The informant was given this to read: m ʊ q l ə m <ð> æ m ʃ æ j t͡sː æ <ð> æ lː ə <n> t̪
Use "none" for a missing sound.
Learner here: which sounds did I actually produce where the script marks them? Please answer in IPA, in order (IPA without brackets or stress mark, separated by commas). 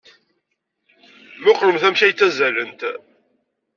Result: θ, z, n